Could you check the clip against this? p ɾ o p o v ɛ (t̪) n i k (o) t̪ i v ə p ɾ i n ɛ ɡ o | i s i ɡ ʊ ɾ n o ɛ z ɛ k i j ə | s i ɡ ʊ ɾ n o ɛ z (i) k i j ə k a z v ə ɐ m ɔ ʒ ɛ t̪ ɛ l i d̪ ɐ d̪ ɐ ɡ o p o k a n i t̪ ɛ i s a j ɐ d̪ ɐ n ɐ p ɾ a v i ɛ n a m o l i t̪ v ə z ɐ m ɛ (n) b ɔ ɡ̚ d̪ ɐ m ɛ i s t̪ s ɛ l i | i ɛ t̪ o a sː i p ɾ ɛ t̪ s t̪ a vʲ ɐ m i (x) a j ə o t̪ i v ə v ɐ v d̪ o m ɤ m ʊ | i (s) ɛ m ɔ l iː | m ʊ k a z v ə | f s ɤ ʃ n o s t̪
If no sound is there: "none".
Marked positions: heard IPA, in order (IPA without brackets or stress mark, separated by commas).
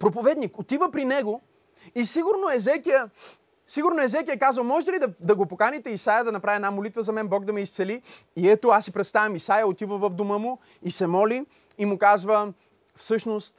d̪, o, ɛ, n, s, s